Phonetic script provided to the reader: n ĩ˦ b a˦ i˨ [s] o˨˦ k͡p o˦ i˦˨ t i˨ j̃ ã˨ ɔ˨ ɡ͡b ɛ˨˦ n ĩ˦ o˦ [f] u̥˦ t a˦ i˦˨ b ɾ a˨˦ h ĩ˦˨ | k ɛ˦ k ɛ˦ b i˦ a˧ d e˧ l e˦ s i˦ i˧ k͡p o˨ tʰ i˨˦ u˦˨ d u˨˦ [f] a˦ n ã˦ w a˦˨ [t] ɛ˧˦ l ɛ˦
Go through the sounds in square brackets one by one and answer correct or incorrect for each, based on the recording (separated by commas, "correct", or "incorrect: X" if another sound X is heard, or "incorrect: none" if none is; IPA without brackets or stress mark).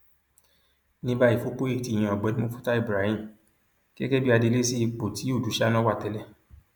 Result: incorrect: f, correct, incorrect: ʃ, correct